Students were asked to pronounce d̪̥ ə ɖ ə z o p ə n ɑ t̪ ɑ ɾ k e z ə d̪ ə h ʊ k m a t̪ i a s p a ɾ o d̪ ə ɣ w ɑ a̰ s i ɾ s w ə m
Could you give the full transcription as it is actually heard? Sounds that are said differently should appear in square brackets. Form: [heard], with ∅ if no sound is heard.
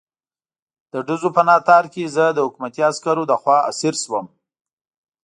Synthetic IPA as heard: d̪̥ ə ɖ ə z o p ə n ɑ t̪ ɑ ɾ k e z ə d̪ ə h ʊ k m a t̪ i a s [k] a ɾ o d̪ ə [x] w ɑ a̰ s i ɾ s w ə m